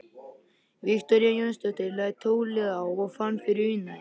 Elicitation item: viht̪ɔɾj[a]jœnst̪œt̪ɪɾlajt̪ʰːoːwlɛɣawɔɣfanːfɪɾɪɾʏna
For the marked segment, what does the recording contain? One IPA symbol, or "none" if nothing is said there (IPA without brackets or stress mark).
a